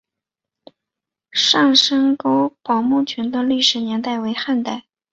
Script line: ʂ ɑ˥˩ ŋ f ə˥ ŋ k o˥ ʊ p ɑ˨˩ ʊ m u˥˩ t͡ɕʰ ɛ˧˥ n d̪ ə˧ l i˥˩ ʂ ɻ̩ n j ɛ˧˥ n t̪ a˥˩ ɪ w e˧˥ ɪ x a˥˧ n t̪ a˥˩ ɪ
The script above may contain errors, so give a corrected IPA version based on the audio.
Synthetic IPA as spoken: ʂ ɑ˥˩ ŋ ʂ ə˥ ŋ k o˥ ʊ p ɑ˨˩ ʊ m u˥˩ t͡ɕʰ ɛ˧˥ n d̪ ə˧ l i˥˩ ʂ ɻ̩ n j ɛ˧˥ n t̪ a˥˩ ɪ w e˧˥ ɪ x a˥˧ n t̪ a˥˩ ɪ

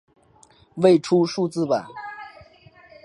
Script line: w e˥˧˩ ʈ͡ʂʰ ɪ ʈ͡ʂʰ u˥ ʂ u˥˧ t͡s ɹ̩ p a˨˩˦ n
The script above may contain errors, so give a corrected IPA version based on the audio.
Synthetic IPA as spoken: w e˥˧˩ ɪ ʈ͡ʂʰ u˥ ʂ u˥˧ t͡s ɹ̩ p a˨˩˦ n

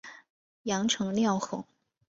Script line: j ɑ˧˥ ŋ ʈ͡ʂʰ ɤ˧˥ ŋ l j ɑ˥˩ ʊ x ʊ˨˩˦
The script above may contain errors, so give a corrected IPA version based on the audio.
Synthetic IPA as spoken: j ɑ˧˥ ŋ ʈ͡ʂʰ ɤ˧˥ ŋ l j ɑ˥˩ ʊ x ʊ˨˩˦

